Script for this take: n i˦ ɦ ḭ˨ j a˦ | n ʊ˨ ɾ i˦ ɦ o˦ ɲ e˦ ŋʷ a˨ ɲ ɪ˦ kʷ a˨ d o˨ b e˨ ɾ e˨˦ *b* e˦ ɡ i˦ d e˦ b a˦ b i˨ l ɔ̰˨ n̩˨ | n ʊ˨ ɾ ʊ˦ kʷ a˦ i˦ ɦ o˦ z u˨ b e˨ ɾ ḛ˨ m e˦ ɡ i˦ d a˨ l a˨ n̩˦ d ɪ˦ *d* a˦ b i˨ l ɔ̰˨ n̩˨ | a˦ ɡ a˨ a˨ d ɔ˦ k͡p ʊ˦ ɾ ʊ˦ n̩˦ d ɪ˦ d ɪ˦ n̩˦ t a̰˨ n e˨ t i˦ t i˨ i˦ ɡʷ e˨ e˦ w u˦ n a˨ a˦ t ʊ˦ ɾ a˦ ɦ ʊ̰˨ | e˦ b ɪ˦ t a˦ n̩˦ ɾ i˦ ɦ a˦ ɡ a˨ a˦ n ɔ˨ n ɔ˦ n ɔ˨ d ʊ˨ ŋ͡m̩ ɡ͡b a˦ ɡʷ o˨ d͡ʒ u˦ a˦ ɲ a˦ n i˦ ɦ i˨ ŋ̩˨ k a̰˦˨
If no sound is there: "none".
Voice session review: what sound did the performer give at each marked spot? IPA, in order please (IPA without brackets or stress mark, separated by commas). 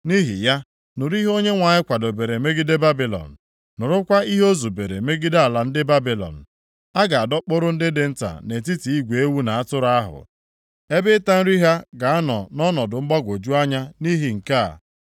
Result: m, b